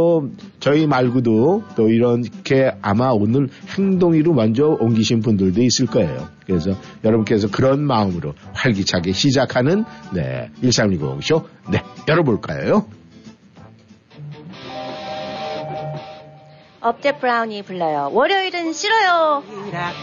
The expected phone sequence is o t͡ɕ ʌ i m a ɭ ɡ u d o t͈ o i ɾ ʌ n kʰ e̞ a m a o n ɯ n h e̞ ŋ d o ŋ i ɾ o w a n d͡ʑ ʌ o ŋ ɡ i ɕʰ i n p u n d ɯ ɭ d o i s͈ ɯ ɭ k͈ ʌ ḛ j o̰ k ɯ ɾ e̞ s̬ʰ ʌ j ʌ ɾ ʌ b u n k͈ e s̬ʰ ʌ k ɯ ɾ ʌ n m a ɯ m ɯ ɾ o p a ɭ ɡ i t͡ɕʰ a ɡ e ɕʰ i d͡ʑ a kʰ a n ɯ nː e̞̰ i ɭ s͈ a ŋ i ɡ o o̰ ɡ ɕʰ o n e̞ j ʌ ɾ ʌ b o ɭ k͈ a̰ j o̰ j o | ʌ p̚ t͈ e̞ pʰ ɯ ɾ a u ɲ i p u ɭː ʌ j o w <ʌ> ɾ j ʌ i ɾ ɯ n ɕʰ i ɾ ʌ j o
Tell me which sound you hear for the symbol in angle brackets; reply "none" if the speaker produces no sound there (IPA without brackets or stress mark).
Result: ʌ